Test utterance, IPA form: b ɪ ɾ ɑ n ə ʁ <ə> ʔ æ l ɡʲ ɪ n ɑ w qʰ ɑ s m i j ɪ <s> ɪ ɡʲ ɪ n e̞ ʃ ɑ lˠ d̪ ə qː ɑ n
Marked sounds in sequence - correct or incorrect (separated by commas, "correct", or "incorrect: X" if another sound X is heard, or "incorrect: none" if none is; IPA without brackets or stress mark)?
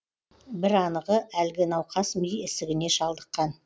correct, correct